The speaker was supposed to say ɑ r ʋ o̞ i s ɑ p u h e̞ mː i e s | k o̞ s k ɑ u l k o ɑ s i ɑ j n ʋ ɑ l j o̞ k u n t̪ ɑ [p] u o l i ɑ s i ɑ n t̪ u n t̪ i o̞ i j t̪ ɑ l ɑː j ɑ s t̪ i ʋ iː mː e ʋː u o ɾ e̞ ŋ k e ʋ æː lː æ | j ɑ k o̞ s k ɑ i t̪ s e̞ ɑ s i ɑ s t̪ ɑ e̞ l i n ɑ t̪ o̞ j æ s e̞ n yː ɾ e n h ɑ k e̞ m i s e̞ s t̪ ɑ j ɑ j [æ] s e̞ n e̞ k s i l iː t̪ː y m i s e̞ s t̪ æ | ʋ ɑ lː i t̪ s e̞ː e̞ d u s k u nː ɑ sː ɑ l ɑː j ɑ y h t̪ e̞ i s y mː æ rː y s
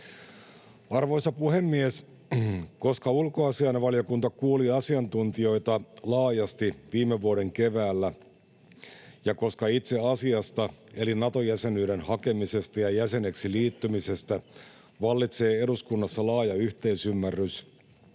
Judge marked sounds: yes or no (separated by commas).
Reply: no, yes